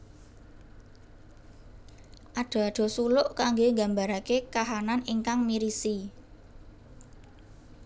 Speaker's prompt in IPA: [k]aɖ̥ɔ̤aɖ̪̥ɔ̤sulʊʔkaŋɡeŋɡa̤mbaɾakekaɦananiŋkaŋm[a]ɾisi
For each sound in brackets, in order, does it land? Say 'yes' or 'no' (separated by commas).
no, no